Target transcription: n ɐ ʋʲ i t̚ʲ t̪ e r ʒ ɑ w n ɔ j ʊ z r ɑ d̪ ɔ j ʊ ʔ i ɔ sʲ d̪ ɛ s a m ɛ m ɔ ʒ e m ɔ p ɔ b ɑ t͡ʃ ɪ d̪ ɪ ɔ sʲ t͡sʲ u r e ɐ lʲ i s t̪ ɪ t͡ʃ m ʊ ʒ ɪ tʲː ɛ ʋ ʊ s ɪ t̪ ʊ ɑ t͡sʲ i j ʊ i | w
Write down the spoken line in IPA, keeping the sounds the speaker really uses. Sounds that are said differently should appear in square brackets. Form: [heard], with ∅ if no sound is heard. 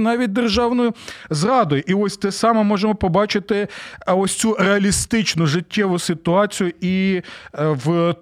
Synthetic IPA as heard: n [ɑ] ʋʲ i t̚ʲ [d̪] e r ʒ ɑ w n ɔ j ʊ z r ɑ d̪ ɔ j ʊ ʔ i ɔ sʲ [t̪] ɛ s [ɑ] m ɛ m ɔ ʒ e m ɔ p ɔ b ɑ t͡ʃ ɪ [t̪] ɪ ɔ sʲ t͡sʲ u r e ɐ lʲ i s t̪ ɪ t͡ʃ [n] ʊ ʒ ɪ tʲː ɛ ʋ ʊ s ɪ t̪ ʊ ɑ t͡sʲ i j ʊ i | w